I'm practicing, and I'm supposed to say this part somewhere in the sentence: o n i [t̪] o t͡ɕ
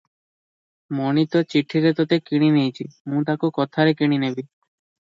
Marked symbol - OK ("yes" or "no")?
yes